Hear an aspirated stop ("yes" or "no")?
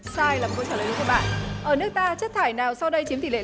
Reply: yes